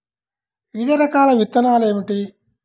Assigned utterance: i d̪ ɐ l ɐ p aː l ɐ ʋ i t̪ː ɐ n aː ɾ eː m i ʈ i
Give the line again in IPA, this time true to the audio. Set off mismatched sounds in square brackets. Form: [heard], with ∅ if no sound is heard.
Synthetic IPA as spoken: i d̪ ɐ [ɾ] ɐ [k] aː l ɐ ʋ i t̪ː ɐ n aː [l] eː m i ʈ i